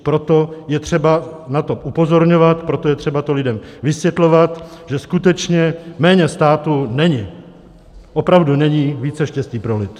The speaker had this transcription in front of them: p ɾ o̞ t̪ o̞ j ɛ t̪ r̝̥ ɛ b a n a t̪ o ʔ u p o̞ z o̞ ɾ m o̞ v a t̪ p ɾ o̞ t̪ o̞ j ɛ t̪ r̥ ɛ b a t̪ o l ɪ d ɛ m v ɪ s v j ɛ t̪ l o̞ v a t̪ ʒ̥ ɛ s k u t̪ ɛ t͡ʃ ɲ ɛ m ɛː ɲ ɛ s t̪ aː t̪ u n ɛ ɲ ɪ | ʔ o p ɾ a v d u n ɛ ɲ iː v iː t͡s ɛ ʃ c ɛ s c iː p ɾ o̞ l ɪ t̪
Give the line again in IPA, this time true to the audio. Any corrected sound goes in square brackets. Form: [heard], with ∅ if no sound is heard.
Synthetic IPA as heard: p ɾ o̞ t̪ o̞ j ɛ t̪ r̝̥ ɛ b a n a t̪ o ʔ u p o̞ z o̞ ɾ [ɲ] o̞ v a t̪ p ɾ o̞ t̪ o̞ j ɛ t̪ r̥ ɛ b a t̪ o l ɪ d ɛ m v ɪ s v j ɛ t̪ l o̞ v a t̪ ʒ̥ ɛ s k u t̪ ɛ t͡ʃ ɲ ɛ m ɛː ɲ ɛ s t̪ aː t̪ u n ɛ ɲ ɪ | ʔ o p ɾ a v d u n ɛ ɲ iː v iː t͡s ɛ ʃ c ɛ s c iː p ɾ o̞ l ɪ t̪